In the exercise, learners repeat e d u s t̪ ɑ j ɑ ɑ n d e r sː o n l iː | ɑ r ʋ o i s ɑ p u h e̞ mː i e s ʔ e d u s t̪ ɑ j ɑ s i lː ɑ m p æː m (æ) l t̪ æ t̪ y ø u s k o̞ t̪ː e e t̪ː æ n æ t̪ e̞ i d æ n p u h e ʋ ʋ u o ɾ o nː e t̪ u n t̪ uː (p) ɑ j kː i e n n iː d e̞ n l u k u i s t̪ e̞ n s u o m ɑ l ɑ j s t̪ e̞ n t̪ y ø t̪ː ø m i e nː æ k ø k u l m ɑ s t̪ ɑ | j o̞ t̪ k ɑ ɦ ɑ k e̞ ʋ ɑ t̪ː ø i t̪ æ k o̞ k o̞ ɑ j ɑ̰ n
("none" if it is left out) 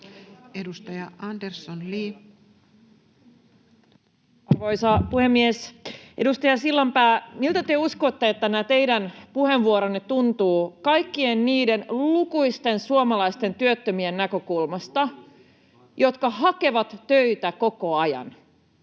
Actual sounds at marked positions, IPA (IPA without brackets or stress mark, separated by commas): i, k